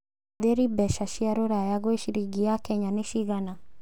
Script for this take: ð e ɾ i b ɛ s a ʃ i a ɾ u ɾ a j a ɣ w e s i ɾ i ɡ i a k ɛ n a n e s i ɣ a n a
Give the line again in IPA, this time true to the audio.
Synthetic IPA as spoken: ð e ɾ i b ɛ ʃ a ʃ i a ɾ o ɾ a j a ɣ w e ʃ i ɾ i ɡ i a k ɛ ɲ a n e ʃ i ɣ a n a